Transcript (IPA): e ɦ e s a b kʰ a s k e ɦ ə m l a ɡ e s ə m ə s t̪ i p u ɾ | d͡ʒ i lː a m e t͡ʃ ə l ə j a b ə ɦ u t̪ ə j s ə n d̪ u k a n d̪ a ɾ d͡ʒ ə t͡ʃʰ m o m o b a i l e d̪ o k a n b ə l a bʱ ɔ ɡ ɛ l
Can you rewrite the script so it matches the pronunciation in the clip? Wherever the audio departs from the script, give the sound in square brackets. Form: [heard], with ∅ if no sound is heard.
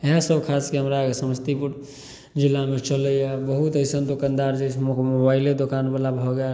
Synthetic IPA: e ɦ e s [ə] b kʰ a s k e ɦ ə m [ɾ] a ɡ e s ə m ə s t̪ i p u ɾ | d͡ʒ i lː a m e t͡ʃ ə l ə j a b ə ɦ u t̪ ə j s ə n d̪ [o] k a n d̪ a ɾ d͡ʒ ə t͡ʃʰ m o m o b a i l e d̪ o k a n b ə l a bʱ ɔ ɡ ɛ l